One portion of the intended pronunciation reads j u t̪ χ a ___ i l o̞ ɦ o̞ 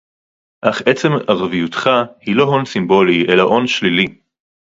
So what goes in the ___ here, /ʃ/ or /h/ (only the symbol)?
h